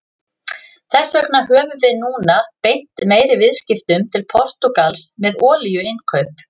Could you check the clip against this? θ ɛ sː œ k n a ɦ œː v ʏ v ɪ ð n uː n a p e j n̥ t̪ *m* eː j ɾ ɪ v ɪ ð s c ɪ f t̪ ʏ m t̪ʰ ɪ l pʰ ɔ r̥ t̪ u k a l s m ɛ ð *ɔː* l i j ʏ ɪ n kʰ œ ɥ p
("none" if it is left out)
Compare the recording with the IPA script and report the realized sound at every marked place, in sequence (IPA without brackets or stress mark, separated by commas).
m, ɔː